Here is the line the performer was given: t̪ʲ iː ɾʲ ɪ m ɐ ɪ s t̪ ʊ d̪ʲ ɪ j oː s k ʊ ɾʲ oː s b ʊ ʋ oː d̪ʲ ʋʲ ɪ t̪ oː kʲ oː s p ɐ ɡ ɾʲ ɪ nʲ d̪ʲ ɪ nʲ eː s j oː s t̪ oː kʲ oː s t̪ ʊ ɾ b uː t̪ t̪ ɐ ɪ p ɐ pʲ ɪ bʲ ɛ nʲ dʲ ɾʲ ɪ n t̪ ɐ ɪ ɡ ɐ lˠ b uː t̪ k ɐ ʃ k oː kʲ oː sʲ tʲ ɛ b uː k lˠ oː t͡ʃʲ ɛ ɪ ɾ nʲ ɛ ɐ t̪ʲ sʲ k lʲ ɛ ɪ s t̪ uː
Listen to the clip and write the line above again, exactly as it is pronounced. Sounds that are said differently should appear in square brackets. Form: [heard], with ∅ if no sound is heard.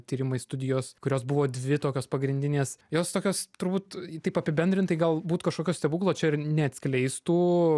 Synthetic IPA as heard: t̪ʲ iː ɾʲ ɪ m ɐ ɪ s t̪ ʊ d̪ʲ ɪ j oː s k ʊ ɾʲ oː s b ʊ ʋ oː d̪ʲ ʋʲ ɪ t̪ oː kʲ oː s p ɐ ɡ ɾʲ ɪ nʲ d̪ʲ ɪ nʲ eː s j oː s t̪ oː kʲ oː s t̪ ʊ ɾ b uː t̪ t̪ ɐ ɪ p ɐ pʲ ɪ bʲ ɛ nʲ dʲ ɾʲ ɪ n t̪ ɐ ɪ ɡ ɐ lˠ b uː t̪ k ɐ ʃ k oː kʲ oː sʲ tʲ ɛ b uː k lˠ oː t͡ʃʲ ɛ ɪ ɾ nʲ ɛ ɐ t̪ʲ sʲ k lʲ ɛ ɪ s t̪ uː